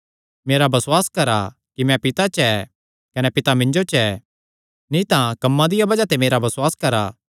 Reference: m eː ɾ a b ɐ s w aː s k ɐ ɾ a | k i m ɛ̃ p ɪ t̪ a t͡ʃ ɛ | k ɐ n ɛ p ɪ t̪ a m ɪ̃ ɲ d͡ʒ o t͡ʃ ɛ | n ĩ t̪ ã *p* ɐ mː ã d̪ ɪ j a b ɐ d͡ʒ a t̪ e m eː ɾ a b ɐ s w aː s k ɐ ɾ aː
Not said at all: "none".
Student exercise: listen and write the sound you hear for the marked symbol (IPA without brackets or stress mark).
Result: k